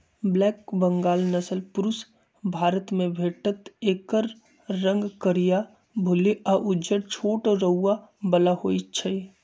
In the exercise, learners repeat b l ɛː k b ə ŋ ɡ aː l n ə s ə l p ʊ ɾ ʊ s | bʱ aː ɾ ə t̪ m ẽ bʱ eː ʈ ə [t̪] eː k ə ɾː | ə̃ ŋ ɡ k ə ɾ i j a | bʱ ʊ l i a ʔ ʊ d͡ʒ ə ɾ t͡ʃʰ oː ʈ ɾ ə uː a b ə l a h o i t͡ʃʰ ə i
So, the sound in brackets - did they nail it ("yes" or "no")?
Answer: yes